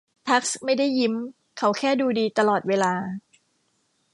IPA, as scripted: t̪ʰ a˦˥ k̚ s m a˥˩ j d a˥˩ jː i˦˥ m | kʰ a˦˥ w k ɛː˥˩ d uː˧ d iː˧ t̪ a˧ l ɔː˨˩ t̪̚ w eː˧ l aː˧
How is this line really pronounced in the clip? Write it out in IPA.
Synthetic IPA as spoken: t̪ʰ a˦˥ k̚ s m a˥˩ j d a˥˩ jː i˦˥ m | kʰ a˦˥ w kʰ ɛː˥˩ d uː˧ d iː˧ t̪ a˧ l ɔː˨˩ t̪̚ w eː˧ l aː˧